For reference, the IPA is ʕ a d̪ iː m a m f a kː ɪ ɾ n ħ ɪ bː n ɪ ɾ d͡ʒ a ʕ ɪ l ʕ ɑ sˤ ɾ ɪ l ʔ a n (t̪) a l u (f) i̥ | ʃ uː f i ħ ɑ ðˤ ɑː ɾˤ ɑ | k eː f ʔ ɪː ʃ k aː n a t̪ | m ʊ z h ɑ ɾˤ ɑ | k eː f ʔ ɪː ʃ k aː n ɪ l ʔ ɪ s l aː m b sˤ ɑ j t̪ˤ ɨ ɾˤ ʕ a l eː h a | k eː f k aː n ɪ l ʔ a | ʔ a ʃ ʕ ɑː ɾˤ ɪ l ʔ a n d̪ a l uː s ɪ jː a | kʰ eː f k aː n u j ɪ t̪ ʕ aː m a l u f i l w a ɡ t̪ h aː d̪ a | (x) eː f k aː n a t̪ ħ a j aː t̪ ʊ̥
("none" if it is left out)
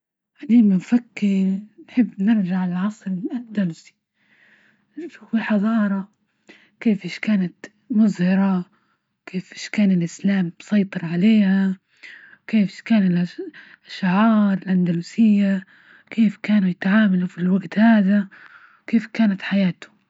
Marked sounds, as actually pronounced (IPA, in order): d̪, s, k

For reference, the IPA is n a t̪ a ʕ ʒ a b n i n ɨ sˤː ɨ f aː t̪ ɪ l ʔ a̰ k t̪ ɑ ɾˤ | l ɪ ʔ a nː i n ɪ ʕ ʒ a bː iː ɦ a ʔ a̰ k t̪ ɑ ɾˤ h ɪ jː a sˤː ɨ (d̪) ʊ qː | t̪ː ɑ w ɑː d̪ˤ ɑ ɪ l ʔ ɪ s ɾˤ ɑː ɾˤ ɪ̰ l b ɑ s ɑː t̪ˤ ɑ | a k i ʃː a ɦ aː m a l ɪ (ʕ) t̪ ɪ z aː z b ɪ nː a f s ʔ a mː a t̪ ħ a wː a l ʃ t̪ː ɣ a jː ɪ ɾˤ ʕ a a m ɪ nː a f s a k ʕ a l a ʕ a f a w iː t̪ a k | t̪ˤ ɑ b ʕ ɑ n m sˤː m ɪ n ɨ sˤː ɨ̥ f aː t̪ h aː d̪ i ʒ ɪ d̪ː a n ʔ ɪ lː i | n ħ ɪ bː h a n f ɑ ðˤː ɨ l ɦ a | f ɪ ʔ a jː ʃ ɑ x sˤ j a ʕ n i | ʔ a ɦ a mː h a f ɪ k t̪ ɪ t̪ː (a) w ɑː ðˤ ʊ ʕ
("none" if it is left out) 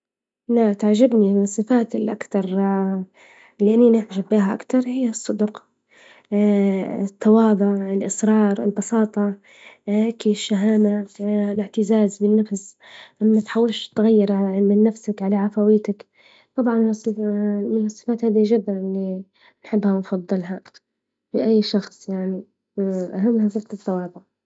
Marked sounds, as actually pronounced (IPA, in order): d̪, ʕ, ɑ

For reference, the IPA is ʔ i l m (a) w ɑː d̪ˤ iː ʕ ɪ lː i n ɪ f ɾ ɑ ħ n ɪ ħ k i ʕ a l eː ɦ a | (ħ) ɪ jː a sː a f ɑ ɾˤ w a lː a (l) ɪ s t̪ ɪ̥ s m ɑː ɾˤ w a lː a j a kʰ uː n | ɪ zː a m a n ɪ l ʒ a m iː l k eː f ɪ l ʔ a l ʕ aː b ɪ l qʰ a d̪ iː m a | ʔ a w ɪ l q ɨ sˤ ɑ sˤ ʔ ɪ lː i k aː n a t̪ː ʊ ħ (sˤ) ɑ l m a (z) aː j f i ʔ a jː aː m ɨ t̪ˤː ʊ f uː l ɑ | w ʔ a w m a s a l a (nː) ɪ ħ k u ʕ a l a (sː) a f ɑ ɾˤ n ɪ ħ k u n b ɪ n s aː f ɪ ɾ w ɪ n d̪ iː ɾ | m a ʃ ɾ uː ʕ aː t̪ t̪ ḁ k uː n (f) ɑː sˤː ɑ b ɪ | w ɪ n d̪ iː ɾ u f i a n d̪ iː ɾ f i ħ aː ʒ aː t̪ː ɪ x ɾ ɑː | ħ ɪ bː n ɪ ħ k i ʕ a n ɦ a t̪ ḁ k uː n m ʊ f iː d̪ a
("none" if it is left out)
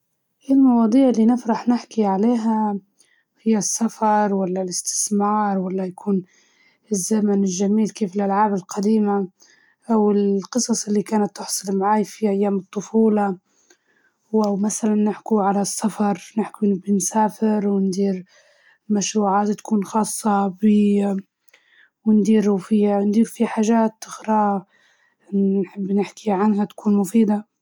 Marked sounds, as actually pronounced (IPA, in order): ɑ, h, l, sˤ, ʕ, nː, sː, x

